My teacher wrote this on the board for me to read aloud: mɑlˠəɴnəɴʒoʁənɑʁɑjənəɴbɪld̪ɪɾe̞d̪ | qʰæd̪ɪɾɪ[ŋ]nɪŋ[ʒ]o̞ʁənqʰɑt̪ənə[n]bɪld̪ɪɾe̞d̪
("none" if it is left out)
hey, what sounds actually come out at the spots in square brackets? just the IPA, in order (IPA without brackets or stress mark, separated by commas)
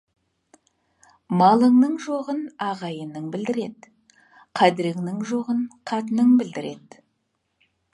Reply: ŋ, ʒ, ŋ